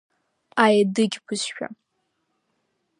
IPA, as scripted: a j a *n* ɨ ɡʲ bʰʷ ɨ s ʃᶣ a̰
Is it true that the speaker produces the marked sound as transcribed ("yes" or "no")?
no